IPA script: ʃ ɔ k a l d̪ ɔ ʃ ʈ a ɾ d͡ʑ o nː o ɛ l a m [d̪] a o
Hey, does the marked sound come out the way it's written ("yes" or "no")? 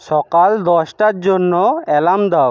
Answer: yes